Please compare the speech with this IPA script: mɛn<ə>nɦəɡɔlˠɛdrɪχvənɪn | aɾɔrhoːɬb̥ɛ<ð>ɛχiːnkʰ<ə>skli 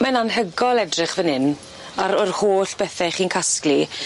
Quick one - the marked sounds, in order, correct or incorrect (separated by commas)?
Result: incorrect, incorrect, incorrect